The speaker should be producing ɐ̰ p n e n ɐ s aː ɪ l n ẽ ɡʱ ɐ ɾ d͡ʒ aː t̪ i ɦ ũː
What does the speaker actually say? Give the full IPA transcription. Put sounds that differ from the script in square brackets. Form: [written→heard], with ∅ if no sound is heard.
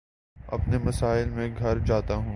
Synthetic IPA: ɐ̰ p n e [n→m] ɐ s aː ɪ l [n→m] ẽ ɡʱ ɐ ɾ d͡ʒ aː t̪ [i→a] ɦ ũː